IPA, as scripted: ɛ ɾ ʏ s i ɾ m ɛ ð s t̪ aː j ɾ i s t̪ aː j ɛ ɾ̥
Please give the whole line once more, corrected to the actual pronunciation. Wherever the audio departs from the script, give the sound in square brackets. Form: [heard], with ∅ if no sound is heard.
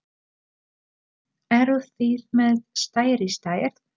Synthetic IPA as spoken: ɛ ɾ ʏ [θ] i ɾ m ɛ ð s t̪ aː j ɾ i s t̪ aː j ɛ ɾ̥